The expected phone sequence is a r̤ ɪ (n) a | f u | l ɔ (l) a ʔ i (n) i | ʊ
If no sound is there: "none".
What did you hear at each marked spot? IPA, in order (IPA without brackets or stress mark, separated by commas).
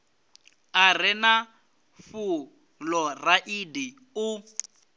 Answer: n, r, d